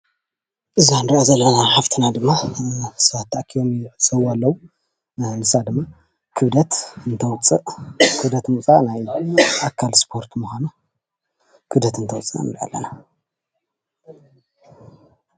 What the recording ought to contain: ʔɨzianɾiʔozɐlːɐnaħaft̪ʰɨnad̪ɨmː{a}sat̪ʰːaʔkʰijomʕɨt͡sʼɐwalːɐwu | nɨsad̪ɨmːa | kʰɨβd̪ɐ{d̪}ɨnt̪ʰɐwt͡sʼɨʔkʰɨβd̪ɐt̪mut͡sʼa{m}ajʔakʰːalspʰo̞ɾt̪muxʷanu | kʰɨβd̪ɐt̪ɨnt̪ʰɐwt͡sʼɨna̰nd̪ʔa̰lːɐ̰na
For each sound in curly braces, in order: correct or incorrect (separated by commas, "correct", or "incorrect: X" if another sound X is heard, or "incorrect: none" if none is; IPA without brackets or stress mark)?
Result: correct, incorrect: t̪, incorrect: n